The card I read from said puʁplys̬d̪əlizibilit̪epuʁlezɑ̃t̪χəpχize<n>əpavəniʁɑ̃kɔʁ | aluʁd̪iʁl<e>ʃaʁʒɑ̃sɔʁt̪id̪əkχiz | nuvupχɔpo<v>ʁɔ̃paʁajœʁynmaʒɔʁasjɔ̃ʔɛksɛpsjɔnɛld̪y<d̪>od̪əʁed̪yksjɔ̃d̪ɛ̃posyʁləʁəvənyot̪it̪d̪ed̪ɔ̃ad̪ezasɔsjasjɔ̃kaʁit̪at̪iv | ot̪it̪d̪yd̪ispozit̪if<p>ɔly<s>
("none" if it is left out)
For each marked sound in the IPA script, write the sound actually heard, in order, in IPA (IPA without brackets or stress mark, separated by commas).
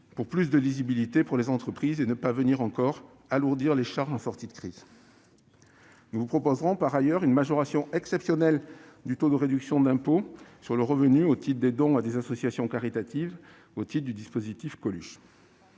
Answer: n, e, z, t̪, k, ʃ